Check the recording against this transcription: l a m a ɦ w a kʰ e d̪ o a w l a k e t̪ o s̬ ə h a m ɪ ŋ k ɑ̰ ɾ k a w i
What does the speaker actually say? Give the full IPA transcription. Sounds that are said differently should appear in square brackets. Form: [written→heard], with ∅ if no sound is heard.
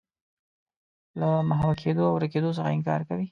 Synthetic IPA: l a m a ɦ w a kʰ e d̪ o a w [l→ɾ] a k e [t̪→d̪] o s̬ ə [h→x] a [m→∅] ɪ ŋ k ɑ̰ ɾ k a w i